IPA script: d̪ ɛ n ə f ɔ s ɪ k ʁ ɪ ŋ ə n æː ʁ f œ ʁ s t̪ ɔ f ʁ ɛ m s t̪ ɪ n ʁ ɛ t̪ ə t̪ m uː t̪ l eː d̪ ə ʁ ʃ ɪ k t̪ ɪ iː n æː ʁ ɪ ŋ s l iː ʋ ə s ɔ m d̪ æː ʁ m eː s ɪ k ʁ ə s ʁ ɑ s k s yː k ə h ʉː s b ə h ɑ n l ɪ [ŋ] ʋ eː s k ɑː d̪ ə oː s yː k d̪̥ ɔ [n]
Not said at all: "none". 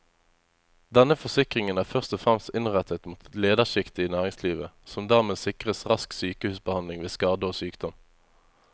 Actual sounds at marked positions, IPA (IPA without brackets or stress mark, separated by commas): ŋ, m